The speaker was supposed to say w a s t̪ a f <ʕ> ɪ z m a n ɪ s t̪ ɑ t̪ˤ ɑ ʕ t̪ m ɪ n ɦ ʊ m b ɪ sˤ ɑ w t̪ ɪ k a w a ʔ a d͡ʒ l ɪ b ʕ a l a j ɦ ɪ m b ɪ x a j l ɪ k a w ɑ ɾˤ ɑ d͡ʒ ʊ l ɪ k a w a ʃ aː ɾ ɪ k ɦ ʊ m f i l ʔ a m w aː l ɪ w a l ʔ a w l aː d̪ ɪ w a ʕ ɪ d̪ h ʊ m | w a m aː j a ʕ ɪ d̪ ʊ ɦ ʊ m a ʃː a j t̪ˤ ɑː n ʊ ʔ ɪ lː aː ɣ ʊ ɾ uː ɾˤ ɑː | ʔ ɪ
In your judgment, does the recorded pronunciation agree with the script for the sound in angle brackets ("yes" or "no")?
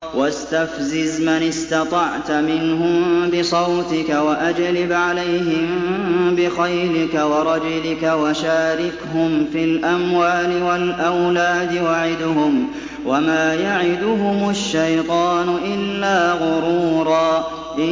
no